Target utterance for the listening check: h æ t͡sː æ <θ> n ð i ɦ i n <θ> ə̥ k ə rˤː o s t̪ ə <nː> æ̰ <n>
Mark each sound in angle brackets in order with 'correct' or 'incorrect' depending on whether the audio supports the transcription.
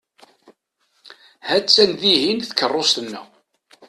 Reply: incorrect: none, correct, correct, incorrect: none

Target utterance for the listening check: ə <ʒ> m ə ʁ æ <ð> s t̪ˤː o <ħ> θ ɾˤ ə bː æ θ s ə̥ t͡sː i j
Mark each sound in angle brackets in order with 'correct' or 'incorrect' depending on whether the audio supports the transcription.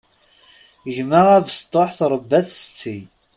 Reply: correct, incorrect: v, correct

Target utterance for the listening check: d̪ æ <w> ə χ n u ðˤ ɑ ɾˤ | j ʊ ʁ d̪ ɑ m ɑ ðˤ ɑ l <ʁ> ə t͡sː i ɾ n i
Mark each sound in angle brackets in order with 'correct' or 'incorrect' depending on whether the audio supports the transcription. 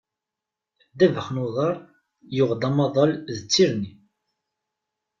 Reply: incorrect: v, incorrect: ð

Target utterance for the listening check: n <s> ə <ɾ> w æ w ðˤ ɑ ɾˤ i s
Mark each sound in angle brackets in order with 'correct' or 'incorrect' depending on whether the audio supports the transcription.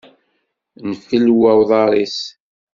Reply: incorrect: f, incorrect: l

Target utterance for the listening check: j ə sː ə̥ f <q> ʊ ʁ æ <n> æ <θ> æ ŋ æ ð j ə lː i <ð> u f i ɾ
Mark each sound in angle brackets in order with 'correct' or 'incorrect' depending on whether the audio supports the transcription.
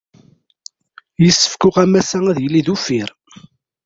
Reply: incorrect: k, incorrect: m, incorrect: s, correct

